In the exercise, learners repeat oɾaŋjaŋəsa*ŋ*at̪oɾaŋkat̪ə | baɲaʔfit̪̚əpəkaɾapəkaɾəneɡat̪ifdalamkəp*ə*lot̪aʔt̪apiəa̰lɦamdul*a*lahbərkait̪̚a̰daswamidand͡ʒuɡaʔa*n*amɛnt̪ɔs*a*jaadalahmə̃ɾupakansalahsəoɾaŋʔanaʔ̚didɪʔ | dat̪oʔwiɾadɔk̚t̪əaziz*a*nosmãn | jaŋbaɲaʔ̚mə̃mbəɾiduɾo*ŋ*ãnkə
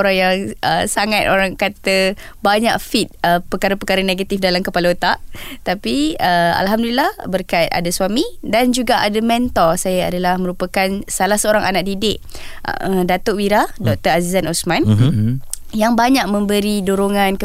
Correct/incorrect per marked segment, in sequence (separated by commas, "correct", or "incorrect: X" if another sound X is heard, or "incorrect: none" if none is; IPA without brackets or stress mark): correct, incorrect: a, incorrect: i, incorrect: d, correct, correct, correct